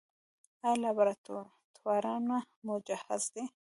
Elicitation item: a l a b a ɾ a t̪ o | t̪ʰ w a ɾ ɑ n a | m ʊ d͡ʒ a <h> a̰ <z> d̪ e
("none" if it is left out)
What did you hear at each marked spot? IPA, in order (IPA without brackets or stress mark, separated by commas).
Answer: h, z